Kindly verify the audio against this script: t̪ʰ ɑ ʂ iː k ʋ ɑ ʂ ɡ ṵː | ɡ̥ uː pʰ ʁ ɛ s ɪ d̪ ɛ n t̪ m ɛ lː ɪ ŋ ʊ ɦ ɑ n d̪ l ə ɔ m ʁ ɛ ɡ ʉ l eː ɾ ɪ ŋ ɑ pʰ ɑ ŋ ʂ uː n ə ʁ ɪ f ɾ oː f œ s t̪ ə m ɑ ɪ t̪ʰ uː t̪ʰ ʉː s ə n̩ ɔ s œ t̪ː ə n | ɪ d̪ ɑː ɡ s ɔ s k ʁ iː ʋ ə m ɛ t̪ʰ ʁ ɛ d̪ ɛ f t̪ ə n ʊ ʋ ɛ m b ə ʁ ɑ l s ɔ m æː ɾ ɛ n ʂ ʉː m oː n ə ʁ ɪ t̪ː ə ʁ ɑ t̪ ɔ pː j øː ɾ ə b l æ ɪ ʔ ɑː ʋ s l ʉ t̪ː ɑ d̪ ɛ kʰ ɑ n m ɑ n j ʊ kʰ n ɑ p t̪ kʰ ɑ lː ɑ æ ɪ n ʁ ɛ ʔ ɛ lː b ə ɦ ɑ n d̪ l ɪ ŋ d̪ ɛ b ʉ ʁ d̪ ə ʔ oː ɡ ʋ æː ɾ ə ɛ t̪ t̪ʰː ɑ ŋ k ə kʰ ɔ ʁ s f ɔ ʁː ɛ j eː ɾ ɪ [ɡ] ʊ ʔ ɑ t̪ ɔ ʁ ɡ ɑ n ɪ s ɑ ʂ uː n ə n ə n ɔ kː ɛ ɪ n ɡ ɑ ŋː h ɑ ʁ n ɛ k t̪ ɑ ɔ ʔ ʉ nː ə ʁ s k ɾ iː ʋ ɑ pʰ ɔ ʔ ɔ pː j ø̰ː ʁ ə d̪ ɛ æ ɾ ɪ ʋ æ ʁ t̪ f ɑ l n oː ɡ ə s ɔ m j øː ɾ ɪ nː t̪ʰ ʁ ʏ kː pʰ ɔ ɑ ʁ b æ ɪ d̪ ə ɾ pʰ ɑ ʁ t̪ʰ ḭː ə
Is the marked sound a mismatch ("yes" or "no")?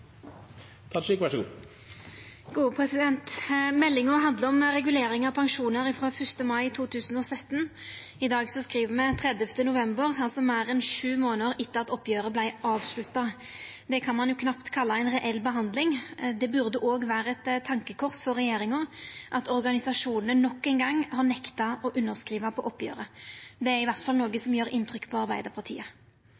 yes